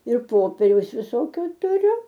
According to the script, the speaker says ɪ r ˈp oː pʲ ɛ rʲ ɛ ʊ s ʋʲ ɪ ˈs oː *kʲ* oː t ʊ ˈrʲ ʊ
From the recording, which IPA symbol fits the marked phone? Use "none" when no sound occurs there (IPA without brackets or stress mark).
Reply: kʲ